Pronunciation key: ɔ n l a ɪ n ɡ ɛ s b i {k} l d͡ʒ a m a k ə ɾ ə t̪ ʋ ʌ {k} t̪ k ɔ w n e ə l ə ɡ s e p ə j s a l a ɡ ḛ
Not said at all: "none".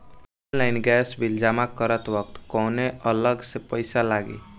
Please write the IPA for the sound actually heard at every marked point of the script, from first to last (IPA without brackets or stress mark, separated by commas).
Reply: none, k